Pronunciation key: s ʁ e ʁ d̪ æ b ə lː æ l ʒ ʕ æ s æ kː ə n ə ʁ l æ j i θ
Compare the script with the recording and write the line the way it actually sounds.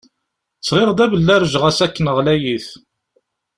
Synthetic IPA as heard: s ʁ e ʁ d̪ æ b ə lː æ ɾ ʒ ʁ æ s æ kː ə n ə ʁ l æ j i θ

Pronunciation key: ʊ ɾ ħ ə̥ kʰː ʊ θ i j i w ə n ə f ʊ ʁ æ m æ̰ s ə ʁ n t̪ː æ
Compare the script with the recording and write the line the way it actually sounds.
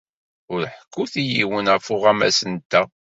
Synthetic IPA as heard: ʊ ɾ ħ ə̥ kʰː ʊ θ i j i w ə n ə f ʊ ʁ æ m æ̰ s ə n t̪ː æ

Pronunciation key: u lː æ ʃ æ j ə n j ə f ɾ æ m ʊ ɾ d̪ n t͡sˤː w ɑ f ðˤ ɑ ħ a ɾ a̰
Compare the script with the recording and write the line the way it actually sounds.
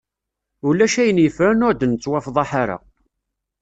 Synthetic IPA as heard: u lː æ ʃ æ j ə n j ə f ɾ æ n ʊ ɾ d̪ n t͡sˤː w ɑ f ðˤ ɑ ħ a ɾ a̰

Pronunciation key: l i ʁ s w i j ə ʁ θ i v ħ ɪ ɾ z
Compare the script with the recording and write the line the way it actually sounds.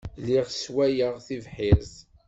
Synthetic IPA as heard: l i ʁ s w æ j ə ʁ θ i v ħ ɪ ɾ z

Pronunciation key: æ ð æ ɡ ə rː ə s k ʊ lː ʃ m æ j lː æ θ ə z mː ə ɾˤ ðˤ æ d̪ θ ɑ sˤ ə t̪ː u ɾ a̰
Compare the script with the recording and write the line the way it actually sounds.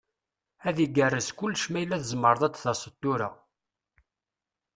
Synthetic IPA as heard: æ ð i ɡ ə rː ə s k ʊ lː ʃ m æ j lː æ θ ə z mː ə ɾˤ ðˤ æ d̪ θ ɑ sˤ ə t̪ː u ɾ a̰

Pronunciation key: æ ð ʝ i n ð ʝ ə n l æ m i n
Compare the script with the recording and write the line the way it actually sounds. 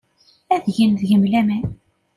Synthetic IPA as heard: æ ð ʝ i n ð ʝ ə m l æ m æ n

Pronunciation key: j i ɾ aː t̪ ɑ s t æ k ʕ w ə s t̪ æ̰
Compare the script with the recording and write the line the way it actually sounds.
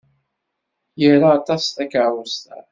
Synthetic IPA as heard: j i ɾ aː t̪ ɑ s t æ k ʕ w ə s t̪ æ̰

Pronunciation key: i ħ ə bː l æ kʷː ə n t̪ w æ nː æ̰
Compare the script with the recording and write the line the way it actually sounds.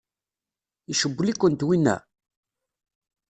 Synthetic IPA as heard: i ʃ ə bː l i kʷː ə n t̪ w i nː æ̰

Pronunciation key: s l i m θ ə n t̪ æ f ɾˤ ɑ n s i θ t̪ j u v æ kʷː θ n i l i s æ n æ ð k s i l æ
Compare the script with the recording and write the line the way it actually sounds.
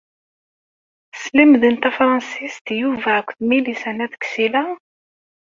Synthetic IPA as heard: s l i m ð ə n t̪ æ f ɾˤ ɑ n s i s t̪ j u v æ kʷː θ m i l i s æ n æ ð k s i l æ

